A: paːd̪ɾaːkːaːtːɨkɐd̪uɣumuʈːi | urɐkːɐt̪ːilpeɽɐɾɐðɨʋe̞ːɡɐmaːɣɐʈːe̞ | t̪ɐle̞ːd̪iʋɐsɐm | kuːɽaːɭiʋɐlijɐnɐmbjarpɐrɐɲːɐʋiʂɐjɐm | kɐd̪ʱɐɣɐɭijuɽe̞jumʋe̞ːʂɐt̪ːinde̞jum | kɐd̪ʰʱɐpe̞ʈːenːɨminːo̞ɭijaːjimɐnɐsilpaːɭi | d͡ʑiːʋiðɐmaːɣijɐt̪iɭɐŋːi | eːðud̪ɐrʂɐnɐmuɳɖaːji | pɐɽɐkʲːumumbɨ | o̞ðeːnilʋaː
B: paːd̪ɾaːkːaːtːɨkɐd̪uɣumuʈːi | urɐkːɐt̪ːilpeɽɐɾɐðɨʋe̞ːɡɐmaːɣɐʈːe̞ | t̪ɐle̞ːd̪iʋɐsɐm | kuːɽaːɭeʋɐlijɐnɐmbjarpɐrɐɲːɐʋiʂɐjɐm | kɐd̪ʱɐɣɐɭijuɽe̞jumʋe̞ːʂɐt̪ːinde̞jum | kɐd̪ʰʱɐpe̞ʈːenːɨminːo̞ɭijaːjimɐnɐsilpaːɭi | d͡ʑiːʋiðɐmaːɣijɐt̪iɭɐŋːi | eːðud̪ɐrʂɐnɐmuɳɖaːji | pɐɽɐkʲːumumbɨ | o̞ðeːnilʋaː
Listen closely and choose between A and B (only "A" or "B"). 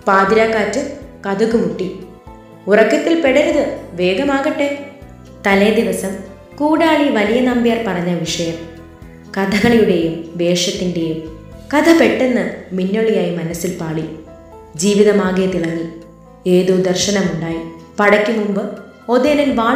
A